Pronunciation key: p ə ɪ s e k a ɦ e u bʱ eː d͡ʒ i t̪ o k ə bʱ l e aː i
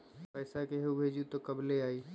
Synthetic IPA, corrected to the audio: p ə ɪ s a k e ɦ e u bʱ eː d͡ʒ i t̪ o k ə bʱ l e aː i